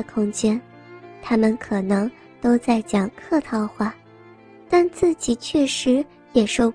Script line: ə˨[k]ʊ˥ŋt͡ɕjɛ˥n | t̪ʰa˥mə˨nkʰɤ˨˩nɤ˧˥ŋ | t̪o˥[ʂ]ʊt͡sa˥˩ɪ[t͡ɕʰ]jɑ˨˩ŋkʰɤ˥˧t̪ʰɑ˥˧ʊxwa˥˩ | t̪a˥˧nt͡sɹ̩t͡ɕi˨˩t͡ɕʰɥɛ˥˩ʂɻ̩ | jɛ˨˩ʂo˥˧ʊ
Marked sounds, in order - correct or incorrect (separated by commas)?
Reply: incorrect, incorrect, incorrect